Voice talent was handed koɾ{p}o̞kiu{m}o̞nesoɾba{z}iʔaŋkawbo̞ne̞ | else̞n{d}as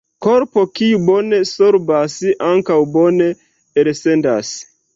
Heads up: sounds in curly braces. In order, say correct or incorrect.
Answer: correct, incorrect, incorrect, correct

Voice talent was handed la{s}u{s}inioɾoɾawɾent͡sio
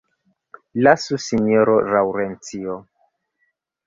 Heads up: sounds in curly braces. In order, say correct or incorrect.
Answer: correct, correct

